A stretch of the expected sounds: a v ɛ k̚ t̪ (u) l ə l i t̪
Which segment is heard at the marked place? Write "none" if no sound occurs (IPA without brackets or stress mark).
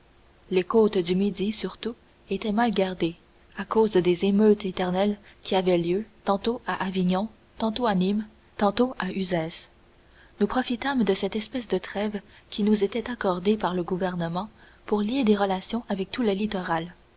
u